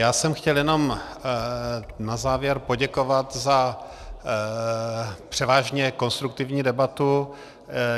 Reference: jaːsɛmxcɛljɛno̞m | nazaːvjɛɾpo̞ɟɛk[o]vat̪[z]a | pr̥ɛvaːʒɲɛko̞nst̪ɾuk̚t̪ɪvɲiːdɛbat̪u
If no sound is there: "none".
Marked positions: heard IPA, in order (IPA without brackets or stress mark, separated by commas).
o, z